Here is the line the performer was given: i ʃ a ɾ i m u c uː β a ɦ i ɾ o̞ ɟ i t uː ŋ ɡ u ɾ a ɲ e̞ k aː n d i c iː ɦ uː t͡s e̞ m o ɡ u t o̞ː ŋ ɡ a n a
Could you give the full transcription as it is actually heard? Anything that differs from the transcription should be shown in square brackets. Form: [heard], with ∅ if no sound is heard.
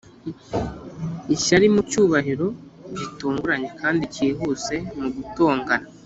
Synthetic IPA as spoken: i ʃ a ɾ i m u c uː β a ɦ i ɾ o̞ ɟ i t uː ŋ ɡ u ɾ a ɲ e̞ k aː n d i c iː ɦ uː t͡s e̞ m [u] ɡ u t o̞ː ŋ ɡ a n a